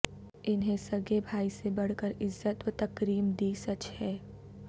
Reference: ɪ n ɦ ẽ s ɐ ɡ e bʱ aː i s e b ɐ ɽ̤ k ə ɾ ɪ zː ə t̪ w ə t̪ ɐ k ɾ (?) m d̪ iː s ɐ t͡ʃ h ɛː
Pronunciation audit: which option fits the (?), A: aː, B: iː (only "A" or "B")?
B